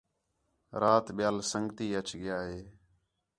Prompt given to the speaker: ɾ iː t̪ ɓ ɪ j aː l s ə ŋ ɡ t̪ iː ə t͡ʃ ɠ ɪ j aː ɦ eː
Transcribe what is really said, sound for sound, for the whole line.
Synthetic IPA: ɾ aː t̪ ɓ ɪ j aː l s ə ŋ ɡ t̪ iː ə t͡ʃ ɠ ɪ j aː ɦ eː